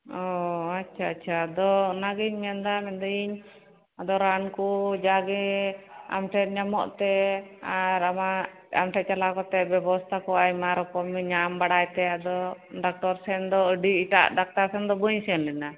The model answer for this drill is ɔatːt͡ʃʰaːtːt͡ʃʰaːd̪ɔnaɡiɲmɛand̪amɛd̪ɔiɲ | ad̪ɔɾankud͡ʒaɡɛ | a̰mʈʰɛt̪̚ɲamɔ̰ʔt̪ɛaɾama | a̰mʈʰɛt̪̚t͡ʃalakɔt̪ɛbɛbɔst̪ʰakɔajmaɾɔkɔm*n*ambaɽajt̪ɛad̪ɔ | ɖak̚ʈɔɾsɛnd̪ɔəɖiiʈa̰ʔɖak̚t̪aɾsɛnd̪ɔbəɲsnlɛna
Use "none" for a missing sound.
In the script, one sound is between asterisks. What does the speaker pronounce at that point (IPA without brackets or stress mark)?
ɲ